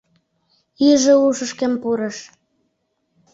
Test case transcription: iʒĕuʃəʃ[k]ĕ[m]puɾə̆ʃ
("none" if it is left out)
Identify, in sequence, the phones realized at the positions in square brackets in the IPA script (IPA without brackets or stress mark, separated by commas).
k, m